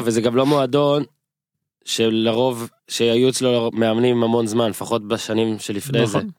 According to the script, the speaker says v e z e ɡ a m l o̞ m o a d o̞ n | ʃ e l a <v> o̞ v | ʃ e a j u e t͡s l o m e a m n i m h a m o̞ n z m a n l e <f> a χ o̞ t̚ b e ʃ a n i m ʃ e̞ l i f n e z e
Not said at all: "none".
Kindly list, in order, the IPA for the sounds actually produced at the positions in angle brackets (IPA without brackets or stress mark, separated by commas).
ʁ, f